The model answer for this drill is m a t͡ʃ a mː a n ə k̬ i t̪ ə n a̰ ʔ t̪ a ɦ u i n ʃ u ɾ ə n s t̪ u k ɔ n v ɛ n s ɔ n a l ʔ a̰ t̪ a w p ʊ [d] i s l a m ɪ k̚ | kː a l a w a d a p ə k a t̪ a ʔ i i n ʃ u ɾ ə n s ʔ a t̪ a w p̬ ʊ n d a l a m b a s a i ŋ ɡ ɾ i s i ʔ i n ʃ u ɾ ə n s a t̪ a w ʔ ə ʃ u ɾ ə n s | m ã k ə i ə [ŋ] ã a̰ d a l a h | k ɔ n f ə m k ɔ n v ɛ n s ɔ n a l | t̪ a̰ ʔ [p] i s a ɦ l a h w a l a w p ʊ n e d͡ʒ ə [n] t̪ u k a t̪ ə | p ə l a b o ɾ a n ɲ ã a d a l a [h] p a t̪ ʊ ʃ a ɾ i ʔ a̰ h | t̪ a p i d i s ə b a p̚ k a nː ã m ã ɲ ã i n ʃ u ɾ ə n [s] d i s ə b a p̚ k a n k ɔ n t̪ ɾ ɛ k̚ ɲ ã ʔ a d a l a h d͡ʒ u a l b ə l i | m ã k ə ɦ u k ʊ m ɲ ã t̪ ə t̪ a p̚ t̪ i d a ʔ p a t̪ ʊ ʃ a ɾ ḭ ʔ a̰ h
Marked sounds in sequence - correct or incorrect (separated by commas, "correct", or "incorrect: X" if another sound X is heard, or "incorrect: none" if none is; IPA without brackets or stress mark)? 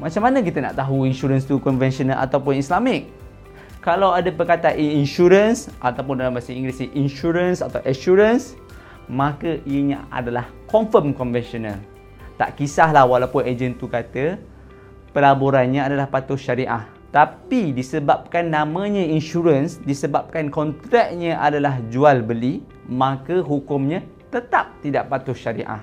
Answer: incorrect: n, incorrect: ɲ, incorrect: k, correct, correct, correct